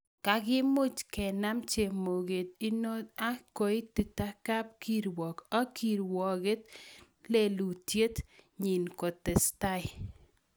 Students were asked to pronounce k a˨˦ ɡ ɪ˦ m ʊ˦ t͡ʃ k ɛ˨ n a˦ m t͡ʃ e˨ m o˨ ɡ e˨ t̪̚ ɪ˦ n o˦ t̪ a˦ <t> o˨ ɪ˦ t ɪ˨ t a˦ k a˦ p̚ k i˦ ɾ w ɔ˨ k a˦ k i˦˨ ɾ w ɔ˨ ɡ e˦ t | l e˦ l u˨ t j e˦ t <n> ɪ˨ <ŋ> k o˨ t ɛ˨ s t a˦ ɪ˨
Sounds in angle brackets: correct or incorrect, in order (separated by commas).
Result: incorrect, incorrect, incorrect